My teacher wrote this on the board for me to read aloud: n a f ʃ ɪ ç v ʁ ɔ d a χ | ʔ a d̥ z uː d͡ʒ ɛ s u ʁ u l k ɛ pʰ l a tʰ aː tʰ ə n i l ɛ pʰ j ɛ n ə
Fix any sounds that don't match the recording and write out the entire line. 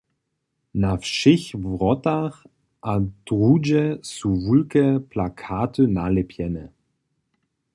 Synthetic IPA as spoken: n a f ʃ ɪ ç v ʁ ɔ t a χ | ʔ a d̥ ʁ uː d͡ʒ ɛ s u v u l k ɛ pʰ l a kʰ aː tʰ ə n a l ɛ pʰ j ɛ n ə